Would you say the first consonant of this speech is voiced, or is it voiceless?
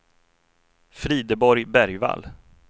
voiceless